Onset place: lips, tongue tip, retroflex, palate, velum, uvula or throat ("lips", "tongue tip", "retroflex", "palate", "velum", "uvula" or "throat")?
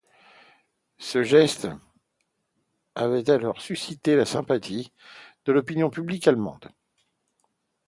tongue tip